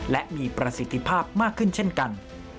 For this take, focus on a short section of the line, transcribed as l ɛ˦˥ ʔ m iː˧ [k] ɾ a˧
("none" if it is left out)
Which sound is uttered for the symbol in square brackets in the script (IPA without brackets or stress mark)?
p